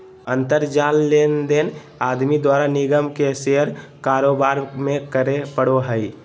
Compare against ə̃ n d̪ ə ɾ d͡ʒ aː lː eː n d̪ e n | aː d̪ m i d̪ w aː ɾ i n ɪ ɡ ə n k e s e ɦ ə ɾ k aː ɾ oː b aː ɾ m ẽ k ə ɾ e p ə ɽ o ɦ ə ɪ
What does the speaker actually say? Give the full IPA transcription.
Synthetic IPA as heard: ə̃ n t̪ ə ɾ d͡ʒ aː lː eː n d̪ e n | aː d̪ m i d̪ w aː ɾ a n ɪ ɡ ə m k e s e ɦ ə ɾ k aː ɾ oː b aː ɾ m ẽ k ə ɾ e p ə ɽ o ɦ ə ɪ